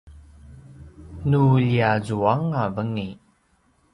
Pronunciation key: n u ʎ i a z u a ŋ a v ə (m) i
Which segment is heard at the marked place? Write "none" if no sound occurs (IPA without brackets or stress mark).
ŋ